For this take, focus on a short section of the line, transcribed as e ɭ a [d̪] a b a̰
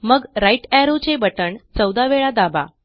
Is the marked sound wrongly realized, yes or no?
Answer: no